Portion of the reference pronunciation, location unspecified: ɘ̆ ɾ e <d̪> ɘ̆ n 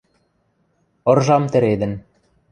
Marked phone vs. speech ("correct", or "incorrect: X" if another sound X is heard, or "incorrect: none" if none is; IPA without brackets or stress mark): correct